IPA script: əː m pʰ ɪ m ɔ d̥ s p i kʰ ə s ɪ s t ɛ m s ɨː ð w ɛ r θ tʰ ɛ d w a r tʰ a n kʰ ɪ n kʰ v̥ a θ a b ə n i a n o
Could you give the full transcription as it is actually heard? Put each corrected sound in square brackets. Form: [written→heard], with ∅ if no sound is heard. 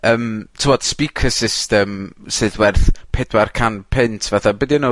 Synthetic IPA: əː m [pʰ→tʰ] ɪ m ɔ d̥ s p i kʰ ə s ɪ s t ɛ m s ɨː ð w ɛ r θ [tʰ→pʰ] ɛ d w a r [tʰ→kʰ] a n [kʰ→pʰ] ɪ n [kʰ→tʰ] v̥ a θ a b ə [n→d] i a n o